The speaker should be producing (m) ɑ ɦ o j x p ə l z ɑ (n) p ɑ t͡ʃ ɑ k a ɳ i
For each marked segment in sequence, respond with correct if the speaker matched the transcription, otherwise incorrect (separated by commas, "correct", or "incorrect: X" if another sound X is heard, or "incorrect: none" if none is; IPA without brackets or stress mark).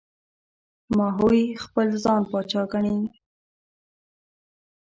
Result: correct, correct